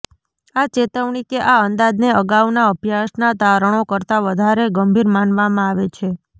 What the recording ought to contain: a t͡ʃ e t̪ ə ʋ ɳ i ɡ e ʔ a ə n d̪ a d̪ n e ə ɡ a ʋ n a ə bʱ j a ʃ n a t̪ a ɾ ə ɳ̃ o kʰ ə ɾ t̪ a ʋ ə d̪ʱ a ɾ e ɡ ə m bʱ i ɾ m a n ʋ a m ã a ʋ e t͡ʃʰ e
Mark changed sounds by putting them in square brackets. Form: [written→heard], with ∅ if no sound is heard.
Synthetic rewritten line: a t͡ʃ e t̪ ə ʋ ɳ i [ɡ→k] e ʔ a ə n d̪ a d̪ n e ə ɡ a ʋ n a ə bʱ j a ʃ n a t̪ a ɾ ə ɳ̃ o [kʰ→k] ə ɾ t̪ a ʋ ə d̪ʱ a ɾ e ɡ ə m bʱ i ɾ m a n ʋ a m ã a ʋ e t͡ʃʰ e